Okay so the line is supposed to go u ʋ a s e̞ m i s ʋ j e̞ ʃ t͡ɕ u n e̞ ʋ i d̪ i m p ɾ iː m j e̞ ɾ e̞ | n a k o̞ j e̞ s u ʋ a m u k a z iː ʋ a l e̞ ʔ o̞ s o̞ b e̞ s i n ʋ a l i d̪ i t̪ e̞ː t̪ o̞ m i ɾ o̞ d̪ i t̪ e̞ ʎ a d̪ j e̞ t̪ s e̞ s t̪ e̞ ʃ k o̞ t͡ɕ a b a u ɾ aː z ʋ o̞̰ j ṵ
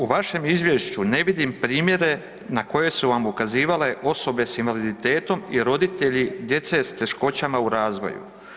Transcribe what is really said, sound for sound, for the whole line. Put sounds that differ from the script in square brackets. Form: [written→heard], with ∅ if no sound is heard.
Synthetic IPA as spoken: u ʋ a [s→ʃ] e̞ m i [s→z] ʋ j e̞ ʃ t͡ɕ u n e̞ ʋ i d̪ i m p ɾ iː m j e̞ ɾ e̞ | n a k o̞ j e̞ s u ʋ a m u k a z iː ʋ a l e̞ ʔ o̞ s o̞ b e̞ s i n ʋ a l i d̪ i t̪ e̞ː t̪ o̞ m i ɾ o̞ d̪ i t̪ e̞ ʎ [a→i] d̪ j e̞ t̪ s e̞ s t̪ e̞ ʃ k o̞ t͡ɕ a [b→m] a u ɾ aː z ʋ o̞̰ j ṵ